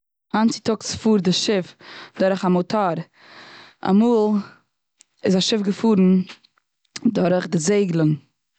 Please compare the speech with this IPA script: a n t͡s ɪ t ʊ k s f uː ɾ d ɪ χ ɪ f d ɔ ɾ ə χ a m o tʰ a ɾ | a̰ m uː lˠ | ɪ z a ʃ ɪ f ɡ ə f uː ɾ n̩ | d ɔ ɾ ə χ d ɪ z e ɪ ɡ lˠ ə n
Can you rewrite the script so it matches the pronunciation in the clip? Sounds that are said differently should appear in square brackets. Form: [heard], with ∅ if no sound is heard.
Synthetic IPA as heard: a n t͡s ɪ t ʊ k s f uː ɾ d ɪ [ʃ] ɪ f d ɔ ɾ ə χ a m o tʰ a ɾ | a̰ m uː lˠ | ɪ z a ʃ ɪ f ɡ ə f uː ɾ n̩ | d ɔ ɾ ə χ d ɪ z e ɪ ɡ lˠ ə n

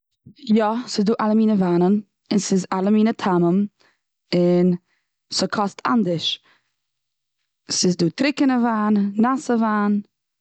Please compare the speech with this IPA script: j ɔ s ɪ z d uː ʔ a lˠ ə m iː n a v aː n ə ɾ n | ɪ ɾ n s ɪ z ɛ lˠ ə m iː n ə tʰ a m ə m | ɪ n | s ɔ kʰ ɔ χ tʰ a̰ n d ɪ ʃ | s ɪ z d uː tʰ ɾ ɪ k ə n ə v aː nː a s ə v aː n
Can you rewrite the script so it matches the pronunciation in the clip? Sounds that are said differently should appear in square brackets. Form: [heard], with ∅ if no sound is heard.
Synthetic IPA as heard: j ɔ s ɪ z d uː ʔ a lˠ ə m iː n [ə] v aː n ə [∅] n | ɪ [∅] n s ɪ z [a] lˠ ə m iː n ə tʰ a m ə m | ɪ n | s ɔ kʰ ɔ [s] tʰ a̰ n d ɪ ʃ | s ɪ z d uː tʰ ɾ ɪ k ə n ə v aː nː a s ə v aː n

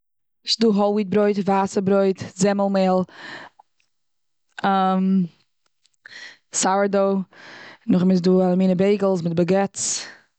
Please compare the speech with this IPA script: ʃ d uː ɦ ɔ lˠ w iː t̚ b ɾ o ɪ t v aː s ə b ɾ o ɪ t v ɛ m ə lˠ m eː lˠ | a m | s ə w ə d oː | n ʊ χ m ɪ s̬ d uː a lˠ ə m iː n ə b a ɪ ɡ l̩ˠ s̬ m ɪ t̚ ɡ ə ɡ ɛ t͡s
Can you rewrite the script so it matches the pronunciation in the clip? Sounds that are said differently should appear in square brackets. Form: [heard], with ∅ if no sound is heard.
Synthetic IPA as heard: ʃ d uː ɦ ɔ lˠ w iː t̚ b ɾ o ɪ t v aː s ə b ɾ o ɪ t [z] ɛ m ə lˠ m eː lˠ | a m | s [a] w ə d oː | n ʊ χ m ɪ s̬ d uː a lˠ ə m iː n ə b [e] ɪ ɡ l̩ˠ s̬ m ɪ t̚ [b] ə ɡ ɛ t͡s

